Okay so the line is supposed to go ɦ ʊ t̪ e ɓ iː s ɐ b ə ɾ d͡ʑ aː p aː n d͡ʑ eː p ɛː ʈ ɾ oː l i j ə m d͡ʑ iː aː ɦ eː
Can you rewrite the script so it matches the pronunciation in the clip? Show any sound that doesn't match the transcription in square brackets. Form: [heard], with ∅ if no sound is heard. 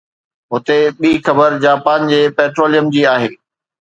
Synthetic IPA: ɦ ʊ t̪ e ɓ iː [x] ɐ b ə ɾ d͡ʑ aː p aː n d͡ʑ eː p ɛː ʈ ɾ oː l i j ə m d͡ʑ iː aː ɦ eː

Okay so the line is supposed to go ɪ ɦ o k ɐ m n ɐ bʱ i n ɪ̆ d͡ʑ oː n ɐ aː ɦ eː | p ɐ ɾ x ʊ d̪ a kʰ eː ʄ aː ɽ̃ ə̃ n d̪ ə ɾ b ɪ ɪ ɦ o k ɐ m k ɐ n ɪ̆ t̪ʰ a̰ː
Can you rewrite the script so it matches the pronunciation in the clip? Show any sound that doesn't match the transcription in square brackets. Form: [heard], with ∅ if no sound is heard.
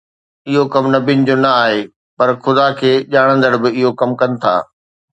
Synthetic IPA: ɪ ɦ o k ɐ m n ɐ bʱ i n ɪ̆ d͡ʑ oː n ɐ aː ɦ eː | p ɐ ɾ x ʊ d̪ a kʰ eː ʄ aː ɽ̃ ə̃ n d̪ ə [ɽ] b ɪ ɪ ɦ o k ɐ m k ɐ n ɪ̆ t̪ʰ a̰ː

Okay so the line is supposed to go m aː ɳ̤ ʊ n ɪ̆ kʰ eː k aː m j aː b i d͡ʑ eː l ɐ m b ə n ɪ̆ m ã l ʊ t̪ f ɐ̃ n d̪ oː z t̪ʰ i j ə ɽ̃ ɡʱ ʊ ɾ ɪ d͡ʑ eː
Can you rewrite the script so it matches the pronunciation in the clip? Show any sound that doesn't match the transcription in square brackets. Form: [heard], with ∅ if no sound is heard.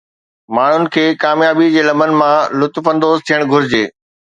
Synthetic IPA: m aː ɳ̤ ʊ n ɪ̆ kʰ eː k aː m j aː b i d͡ʑ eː l ɐ m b ə n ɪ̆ m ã l ʊ t̪ f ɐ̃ n d̪ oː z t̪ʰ i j ə ɽ̃ ɡʱ ʊ ɾ ɪ d͡ʑ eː

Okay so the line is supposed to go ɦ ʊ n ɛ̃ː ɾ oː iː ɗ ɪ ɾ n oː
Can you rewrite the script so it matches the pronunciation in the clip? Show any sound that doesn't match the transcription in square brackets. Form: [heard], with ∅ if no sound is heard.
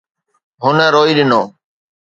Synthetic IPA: ɦ ʊ n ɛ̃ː ɾ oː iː ɗ ɪ [∅] n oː

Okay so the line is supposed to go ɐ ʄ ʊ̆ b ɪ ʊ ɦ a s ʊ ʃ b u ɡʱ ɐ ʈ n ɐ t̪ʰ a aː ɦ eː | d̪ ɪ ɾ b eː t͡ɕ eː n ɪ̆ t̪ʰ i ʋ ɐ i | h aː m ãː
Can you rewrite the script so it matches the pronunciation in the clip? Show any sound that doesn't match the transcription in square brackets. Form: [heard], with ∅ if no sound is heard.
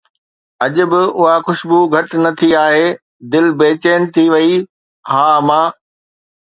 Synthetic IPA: ɐ ʄ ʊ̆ b ɪ ʊ ɦ a [x] ʊ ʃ b u ɡʱ ɐ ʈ n ɐ t̪ʰ [i] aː ɦ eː | d̪ ɪ [l] b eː t͡ɕ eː n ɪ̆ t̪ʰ i ʋ ɐ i | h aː m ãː

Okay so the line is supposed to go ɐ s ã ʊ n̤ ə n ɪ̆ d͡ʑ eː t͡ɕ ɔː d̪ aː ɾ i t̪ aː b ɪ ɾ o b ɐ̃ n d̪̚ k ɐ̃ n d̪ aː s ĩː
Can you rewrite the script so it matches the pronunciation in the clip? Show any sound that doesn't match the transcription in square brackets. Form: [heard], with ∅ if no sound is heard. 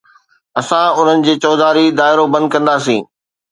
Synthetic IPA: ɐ s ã ʊ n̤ ə n ɪ̆ d͡ʑ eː t͡ɕ ɔː d̪ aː ɾ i [d̪] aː [∅] ɪ ɾ o b ɐ̃ n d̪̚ k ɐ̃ n d̪ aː s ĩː

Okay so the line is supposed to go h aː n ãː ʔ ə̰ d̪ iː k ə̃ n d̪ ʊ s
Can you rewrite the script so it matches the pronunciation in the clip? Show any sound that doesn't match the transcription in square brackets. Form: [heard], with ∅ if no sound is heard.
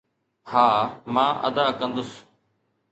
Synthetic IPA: h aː [m] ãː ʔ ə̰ d̪ [aː] k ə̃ n d̪ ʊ s

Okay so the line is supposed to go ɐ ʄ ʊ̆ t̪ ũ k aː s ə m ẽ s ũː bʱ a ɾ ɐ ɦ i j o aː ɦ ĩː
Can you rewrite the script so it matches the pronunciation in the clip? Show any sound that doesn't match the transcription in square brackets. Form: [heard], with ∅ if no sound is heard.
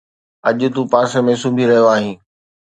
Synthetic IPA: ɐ ʄ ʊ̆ t̪ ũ [p] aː s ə m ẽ s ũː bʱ [i] ɾ ɐ ɦ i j o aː ɦ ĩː

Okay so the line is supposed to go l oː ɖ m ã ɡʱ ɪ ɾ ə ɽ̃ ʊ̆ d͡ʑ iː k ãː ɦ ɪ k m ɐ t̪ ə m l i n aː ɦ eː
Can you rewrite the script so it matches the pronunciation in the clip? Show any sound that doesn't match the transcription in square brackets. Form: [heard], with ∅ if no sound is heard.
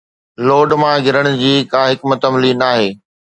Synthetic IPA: l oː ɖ m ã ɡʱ ɪ ɾ ə ɽ̃ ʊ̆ d͡ʑ iː k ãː ɦ ɪ k m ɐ t̪ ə m l i n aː ɦ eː

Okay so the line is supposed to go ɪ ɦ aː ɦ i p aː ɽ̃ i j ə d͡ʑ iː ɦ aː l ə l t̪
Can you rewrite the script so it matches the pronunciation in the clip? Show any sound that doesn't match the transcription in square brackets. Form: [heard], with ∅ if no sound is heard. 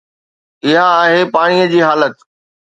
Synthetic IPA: ɪ ɦ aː ɦ [e] p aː ɽ̃ i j ə d͡ʑ iː ɦ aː l ə [∅] t̪

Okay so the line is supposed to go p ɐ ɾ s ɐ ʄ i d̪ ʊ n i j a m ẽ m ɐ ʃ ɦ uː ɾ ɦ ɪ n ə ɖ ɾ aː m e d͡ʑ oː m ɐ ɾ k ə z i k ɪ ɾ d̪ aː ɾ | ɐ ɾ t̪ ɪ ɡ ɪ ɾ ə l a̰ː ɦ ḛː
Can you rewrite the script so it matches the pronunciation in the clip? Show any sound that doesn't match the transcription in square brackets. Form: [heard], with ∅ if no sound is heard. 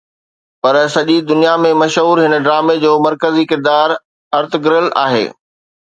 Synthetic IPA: p ɐ ɾ s ɐ ʄ i d̪ ʊ n i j a m ẽ m ɐ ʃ ɦ uː ɾ ɦ ɪ n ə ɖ ɾ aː m e d͡ʑ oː m ɐ ɾ k ə z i k ɪ ɾ d̪ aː ɾ | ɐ ɾ t̪ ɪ ɡ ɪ ɾ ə l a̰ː ɦ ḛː

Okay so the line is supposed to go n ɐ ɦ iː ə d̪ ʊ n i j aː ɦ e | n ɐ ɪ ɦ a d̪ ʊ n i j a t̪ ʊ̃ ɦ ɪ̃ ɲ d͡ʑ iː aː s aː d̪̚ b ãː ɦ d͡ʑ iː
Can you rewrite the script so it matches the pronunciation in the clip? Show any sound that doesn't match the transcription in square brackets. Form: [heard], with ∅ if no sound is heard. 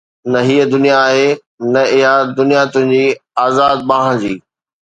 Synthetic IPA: n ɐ ɦ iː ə d̪ ʊ n i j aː ɦ e | n ɐ ɪ ɦ a d̪ ʊ n i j a t̪ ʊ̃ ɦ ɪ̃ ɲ d͡ʑ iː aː [z] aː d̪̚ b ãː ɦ d͡ʑ iː

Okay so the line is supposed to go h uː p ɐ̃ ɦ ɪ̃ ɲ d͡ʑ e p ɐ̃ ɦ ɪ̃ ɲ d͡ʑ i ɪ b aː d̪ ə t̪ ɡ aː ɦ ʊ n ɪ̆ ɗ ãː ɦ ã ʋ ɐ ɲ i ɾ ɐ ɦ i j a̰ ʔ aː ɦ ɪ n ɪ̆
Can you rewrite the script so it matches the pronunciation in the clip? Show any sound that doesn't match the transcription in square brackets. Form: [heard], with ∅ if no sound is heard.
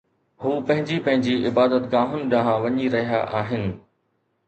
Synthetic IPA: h uː p ɐ̃ ɦ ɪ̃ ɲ d͡ʑ [i] p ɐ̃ ɦ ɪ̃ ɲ d͡ʑ i ɪ b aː d̪ ə t̪ ɡ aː ɦ ʊ n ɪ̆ ɗ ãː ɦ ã ʋ ɐ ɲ i ɾ ɐ ɦ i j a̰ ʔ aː ɦ ɪ n ɪ̆

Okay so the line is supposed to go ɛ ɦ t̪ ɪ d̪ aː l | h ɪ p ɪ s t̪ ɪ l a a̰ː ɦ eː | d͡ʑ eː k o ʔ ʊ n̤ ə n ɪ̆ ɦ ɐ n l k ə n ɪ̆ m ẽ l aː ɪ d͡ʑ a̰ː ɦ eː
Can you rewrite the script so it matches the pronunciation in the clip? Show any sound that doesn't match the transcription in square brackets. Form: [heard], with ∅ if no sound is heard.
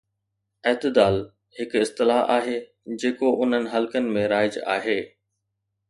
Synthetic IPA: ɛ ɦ t̪ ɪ d̪ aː l | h ɪ [k] ɪ s t̪ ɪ l a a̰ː ɦ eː | d͡ʑ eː k o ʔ ʊ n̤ ə n ɪ̆ ɦ ɐ [∅] l k ə n ɪ̆ m ẽ [ɾ] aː ɪ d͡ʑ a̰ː ɦ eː

